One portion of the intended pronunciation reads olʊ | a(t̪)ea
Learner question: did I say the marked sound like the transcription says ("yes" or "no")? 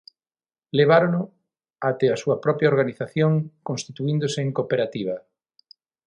yes